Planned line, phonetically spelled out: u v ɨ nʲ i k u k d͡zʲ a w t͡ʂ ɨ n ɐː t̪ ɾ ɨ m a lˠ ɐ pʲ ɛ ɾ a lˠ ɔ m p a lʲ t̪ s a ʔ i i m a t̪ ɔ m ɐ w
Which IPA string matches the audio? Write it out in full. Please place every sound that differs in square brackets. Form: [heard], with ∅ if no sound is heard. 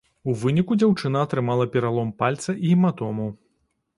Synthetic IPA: u v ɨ nʲ i k u [∅] d͡zʲ a w t͡ʂ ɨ n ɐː t̪ ɾ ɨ m a lˠ ɐ pʲ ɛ ɾ a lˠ ɔ m p a lʲ t̪ s [ɐ] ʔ i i m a t̪ ɔ m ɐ w

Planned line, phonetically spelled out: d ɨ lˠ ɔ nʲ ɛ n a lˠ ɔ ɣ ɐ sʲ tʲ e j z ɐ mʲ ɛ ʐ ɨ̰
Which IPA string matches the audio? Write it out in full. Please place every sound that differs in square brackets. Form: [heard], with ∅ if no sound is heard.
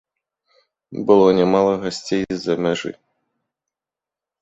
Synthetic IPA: [b] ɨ lˠ ɔ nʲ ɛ [m] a lˠ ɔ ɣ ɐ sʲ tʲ e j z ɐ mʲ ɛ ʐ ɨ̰

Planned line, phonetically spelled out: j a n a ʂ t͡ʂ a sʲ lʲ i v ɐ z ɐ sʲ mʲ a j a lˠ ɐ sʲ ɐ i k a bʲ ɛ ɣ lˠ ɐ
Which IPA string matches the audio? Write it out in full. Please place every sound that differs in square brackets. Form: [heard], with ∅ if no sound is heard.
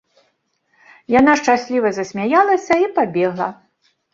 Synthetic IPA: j a n a ʂ t͡ʂ a sʲ lʲ i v ɐ z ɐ sʲ mʲ a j a lˠ ɐ sʲ ɐ i [p] a bʲ ɛ ɣ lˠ ɐ

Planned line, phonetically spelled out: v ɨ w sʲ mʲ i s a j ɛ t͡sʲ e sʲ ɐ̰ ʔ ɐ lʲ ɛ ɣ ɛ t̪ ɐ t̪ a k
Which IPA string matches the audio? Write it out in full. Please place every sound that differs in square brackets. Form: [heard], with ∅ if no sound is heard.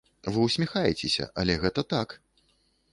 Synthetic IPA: v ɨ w sʲ mʲ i [x] a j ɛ t͡sʲ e sʲ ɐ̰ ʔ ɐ lʲ ɛ ɣ ɛ t̪ ɐ t̪ a k

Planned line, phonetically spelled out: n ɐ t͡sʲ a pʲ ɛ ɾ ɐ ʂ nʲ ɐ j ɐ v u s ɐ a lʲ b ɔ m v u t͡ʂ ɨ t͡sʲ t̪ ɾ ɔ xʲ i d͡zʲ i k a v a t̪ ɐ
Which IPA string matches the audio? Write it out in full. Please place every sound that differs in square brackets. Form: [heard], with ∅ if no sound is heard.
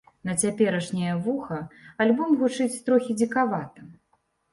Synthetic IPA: n ɐ t͡sʲ a pʲ ɛ ɾ ɐ ʂ nʲ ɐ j ɐ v u [x] ɐ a lʲ b ɔ m [ɣ] u t͡ʂ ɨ t͡sʲ t̪ ɾ ɔ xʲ i d͡zʲ i k a v a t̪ ɐ

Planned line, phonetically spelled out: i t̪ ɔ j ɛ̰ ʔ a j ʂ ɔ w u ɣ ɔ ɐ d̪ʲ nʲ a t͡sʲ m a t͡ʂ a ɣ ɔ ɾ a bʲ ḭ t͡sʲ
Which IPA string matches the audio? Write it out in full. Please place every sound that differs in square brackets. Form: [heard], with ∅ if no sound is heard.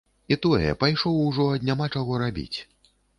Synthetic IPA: i t̪ ɔ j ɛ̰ [p] a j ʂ ɔ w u [ʐ] ɔ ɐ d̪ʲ nʲ a [∅] m a t͡ʂ a ɣ ɔ ɾ a bʲ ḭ t͡sʲ

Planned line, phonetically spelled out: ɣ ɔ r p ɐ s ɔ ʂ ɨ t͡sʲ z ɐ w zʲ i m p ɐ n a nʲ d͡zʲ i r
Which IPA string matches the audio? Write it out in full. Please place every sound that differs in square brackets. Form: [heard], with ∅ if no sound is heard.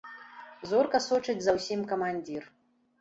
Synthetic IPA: [z] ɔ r [k] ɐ s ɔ [t͡ʂ] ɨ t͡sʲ z ɐ w [sʲ] i m [k] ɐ [m] a nʲ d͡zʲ i r

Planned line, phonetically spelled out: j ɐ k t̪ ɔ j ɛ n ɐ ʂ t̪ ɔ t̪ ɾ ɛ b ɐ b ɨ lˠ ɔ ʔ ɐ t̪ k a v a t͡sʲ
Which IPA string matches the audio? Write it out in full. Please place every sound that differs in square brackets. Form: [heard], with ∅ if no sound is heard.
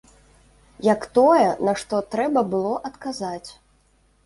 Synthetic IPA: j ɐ k t̪ ɔ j ɛ n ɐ ʂ t̪ ɔ t̪ ɾ ɛ b ɐ b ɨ lˠ ɔ ʔ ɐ t̪ k a [z] a t͡sʲ

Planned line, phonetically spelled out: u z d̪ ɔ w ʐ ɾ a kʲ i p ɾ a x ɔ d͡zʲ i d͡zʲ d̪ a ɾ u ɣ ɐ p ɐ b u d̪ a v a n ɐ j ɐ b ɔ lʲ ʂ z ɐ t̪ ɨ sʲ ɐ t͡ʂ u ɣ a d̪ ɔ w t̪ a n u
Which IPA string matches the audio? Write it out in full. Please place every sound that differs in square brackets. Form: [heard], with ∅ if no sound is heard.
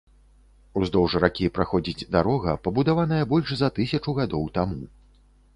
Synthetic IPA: u z d̪ ɔ w ʐ ɾ a kʲ i p ɾ a x ɔ d͡zʲ i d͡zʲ d̪ a ɾ [ɔ] ɣ ɐ p ɐ b u d̪ a v a n ɐ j ɐ b ɔ lʲ ʂ z ɐ t̪ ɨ sʲ ɐ t͡ʂ u ɣ a d̪ ɔ w t̪ a [m] u

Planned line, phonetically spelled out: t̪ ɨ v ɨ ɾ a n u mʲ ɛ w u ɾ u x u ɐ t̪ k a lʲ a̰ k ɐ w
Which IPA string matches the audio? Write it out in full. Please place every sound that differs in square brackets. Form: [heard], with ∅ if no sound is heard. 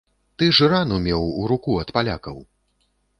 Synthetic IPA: t̪ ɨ [ʐ] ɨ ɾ a n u mʲ ɛ w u ɾ u [k] u ɐ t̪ [p] a lʲ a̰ k ɐ w

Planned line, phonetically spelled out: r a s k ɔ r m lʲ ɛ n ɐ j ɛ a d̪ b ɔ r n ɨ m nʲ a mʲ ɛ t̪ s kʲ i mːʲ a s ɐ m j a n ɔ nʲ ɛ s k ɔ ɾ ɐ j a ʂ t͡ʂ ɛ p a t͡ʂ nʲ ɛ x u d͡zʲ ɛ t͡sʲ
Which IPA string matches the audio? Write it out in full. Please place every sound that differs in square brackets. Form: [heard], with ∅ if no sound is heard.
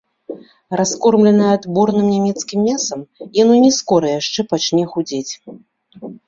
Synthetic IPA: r a s k ɔ r m lʲ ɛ n ɐ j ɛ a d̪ b ɔ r n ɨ m nʲ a mʲ ɛ t̪ s kʲ i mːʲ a s ɐ m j a n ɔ nʲ ɛ s k ɔ ɾ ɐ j a ʂ t͡ʂ ɛ p a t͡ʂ nʲ ɛ x u d͡zʲ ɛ t͡sʲ

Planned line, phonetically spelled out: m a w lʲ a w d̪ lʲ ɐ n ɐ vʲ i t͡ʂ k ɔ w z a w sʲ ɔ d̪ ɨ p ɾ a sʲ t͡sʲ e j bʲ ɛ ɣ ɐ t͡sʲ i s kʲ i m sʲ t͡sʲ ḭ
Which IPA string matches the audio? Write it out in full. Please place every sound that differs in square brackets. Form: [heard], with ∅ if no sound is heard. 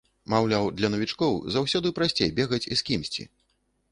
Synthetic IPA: m a w lʲ a w d̪ lʲ ɐ n ɐ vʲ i t͡ʂ k ɔ w z a w sʲ ɔ d̪ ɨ p ɾ a sʲ t͡sʲ e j bʲ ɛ ɣ ɐ t͡sʲ i s kʲ i m sʲ t͡sʲ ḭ

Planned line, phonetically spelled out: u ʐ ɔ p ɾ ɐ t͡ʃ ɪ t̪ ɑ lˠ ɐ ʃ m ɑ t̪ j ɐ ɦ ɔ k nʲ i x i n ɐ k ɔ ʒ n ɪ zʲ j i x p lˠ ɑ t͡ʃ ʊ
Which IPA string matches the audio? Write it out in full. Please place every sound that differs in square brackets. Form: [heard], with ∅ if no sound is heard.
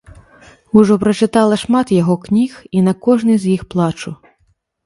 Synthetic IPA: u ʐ ɔ p ɾ ɐ t͡ʃ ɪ t̪ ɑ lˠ ɐ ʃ m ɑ t̪ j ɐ ɦ ɔ k nʲ i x i n ɐ k ɔ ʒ n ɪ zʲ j i x p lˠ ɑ t͡ʃ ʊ

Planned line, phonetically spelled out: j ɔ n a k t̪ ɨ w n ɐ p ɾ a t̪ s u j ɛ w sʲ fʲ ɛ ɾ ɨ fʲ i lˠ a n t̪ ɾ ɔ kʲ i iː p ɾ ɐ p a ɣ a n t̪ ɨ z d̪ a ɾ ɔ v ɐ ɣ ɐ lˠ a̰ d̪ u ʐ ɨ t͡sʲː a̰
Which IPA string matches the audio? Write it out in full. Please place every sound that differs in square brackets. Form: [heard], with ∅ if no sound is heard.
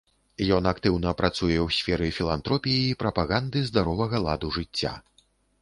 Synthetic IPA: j ɔ n a k t̪ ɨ w n ɐ p ɾ a t̪ s u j ɛ w sʲ fʲ ɛ ɾ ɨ fʲ i lˠ a n t̪ ɾ ɔ [pʲ] i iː p ɾ ɐ p a ɣ a n [d̪] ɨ z d̪ a ɾ ɔ v ɐ ɣ ɐ lˠ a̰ d̪ u ʐ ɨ t͡sʲː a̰

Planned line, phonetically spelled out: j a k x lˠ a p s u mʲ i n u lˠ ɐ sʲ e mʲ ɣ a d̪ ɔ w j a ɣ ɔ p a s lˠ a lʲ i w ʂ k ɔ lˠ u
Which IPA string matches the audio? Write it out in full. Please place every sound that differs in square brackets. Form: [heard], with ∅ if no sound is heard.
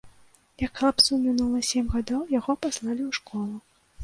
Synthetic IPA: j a k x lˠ a p s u mʲ i n u lˠ ɐ sʲ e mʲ ɣ a d̪ ɔ w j a ɣ ɔ p a s lˠ a lʲ i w ʂ k ɔ lˠ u

